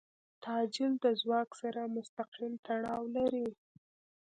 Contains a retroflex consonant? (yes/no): yes